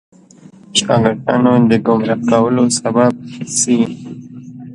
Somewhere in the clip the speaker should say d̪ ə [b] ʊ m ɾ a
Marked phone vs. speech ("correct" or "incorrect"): incorrect